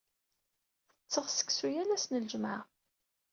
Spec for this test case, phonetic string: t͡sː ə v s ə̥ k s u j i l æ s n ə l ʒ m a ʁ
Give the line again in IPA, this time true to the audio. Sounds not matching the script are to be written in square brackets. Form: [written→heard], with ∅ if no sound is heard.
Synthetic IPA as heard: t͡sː ə [v→ʁ] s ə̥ k s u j [i→æ] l æ s n ə l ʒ m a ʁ

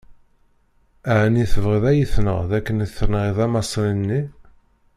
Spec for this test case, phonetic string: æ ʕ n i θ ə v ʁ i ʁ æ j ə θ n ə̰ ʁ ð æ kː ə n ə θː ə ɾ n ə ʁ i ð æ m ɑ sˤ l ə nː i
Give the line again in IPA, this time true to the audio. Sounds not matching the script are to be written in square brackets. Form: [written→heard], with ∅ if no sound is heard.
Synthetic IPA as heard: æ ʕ n i θ ə v ʁ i [ʁ→ð] æ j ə θ n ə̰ ʁ ð æ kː ə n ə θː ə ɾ n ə ʁ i ð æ m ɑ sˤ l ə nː i

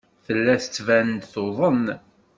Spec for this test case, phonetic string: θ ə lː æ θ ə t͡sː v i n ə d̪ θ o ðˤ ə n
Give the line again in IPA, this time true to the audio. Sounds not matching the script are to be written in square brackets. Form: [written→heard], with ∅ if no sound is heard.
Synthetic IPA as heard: θ ə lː æ θ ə t͡sː v [i→æ] n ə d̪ θ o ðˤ ə n

